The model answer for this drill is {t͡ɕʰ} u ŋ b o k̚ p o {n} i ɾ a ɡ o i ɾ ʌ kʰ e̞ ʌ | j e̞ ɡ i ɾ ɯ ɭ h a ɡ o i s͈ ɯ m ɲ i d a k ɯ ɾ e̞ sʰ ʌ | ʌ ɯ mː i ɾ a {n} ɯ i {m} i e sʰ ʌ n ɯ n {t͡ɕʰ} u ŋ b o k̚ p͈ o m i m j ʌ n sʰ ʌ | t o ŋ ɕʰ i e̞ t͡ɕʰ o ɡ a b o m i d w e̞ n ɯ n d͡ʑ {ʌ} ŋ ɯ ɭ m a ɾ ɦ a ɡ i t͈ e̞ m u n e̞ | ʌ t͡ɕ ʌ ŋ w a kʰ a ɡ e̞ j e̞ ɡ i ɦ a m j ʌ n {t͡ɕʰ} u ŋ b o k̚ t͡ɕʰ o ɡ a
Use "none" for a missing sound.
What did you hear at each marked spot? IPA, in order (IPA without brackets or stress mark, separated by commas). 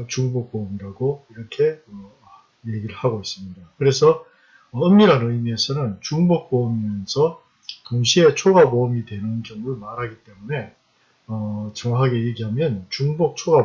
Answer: t͡ɕ, m, n, m, t͡ɕ, ʌ, t͡ɕ